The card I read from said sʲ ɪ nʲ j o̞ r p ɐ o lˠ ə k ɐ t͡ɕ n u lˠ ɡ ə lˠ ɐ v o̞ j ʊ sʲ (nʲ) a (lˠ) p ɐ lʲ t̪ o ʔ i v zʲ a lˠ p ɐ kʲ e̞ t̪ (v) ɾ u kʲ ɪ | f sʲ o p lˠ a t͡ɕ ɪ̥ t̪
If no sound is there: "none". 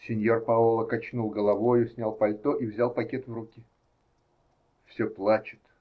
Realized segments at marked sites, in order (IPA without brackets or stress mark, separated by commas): nʲ, lˠ, v